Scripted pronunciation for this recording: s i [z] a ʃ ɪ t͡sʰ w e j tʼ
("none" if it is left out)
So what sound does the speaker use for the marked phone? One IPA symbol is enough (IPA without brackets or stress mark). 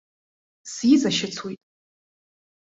z